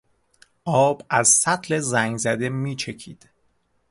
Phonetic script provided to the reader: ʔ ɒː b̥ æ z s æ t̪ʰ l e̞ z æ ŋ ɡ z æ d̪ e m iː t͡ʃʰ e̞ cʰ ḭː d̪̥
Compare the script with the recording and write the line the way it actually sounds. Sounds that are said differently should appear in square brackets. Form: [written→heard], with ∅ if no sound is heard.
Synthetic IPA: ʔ ɒː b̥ æ z s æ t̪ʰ l e̞ z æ ŋ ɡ z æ d̪ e m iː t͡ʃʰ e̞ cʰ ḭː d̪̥